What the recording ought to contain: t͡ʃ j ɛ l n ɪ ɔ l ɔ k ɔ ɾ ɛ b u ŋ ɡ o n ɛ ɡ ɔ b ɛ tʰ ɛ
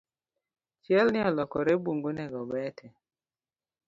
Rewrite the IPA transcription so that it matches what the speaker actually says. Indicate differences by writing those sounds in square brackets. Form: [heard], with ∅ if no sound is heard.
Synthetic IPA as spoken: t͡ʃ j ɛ l n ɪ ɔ l ɔ k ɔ ɾ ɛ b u ŋ ɡ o n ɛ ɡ ɔ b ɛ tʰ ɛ